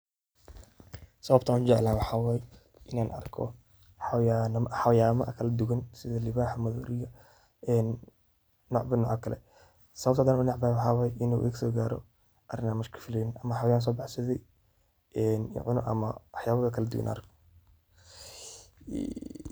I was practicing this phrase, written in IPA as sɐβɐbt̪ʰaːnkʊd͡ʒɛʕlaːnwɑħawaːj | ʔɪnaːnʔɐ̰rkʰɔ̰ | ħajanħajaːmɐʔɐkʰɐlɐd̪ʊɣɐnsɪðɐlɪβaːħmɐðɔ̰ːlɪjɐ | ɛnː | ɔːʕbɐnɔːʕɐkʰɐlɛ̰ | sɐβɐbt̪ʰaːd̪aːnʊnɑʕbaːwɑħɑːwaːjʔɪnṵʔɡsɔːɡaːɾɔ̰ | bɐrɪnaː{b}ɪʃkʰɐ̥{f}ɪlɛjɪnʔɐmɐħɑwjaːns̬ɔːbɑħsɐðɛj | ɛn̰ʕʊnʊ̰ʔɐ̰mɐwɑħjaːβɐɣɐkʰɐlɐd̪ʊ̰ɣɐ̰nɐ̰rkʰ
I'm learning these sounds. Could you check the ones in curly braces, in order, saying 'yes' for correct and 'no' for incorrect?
no, yes

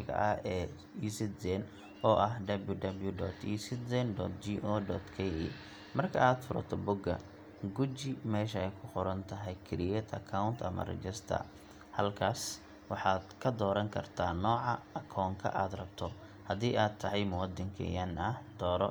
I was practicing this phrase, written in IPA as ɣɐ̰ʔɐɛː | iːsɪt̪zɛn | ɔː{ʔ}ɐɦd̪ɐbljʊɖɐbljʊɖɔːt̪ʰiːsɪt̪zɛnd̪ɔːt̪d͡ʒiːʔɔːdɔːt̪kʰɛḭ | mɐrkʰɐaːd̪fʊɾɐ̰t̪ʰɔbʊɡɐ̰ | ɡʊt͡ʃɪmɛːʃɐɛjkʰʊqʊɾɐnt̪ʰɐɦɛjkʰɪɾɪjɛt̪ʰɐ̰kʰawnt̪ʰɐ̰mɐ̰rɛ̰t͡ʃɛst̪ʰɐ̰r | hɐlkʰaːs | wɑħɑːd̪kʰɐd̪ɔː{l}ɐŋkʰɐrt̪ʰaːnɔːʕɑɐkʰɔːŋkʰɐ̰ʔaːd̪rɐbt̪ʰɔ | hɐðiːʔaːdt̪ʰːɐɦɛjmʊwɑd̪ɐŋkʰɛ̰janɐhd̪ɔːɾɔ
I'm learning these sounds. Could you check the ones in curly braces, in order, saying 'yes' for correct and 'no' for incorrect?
yes, no

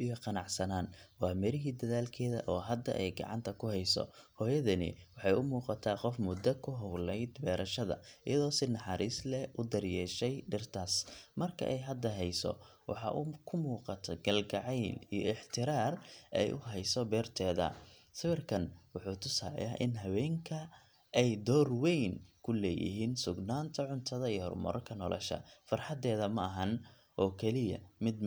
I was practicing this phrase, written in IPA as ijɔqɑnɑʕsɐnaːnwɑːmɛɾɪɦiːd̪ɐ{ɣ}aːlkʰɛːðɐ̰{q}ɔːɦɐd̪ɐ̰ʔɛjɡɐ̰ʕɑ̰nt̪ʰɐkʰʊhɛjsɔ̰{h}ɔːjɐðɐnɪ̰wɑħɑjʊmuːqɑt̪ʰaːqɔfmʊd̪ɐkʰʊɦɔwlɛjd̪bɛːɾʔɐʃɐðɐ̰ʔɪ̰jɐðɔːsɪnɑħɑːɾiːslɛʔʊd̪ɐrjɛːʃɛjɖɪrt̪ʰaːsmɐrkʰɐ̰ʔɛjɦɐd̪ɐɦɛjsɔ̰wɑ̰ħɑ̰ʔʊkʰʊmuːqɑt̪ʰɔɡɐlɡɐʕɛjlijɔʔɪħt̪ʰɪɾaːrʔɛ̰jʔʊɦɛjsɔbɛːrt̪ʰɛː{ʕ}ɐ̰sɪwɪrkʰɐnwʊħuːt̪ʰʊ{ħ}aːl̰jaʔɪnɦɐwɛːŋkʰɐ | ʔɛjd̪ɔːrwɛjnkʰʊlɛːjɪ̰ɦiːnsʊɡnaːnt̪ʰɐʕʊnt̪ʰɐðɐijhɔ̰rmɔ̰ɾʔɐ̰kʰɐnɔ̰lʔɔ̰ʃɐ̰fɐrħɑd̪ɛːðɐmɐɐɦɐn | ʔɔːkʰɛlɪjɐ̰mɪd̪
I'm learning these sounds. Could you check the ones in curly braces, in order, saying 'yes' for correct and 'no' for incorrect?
no, no, yes, no, no

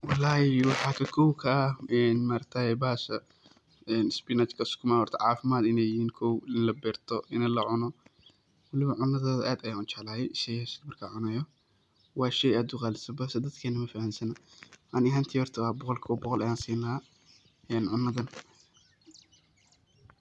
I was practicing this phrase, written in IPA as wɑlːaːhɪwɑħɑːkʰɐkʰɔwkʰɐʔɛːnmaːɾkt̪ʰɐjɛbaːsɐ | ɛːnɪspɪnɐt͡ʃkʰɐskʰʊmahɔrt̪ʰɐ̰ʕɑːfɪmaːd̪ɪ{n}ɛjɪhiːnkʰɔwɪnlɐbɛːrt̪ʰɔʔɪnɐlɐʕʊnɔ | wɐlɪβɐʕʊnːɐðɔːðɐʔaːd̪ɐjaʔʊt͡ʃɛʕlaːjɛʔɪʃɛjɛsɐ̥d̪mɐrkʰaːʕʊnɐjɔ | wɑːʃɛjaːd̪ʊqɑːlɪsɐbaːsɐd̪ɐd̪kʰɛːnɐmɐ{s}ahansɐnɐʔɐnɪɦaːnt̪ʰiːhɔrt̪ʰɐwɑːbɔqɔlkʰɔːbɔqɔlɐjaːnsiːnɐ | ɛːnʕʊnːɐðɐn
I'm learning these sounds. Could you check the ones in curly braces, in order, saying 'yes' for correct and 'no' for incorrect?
yes, no

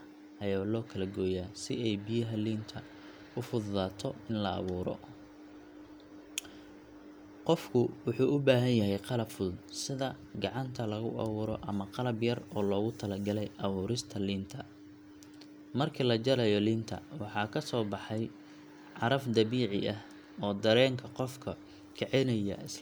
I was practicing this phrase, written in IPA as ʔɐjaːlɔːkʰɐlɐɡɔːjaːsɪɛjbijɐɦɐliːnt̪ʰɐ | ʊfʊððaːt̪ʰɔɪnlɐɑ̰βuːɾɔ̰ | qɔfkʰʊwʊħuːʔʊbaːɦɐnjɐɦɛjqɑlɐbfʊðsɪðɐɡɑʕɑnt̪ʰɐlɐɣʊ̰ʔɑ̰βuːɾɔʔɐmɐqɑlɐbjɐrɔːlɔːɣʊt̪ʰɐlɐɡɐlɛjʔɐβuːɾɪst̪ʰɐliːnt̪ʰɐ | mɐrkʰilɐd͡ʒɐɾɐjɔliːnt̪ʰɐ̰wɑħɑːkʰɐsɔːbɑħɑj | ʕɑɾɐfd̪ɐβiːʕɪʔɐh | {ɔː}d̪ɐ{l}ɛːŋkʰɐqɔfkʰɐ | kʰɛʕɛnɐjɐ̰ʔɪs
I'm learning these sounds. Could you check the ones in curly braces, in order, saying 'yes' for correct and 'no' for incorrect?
yes, no

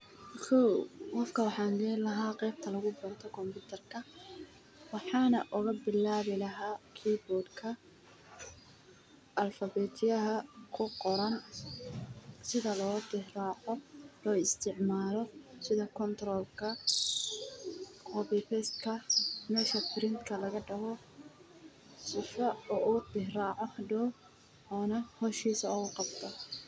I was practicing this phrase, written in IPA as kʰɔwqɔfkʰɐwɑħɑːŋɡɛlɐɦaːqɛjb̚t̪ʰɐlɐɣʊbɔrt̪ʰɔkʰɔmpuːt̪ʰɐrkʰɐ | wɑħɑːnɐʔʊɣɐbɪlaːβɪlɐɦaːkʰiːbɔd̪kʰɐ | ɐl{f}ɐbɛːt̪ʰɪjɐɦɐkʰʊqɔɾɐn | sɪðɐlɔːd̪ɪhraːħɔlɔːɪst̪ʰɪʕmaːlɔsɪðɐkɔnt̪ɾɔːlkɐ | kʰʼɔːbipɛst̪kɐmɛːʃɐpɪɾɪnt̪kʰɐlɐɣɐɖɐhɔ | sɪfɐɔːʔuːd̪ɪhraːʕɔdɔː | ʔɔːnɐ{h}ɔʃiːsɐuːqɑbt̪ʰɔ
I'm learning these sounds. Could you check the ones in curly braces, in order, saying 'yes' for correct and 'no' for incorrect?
yes, yes

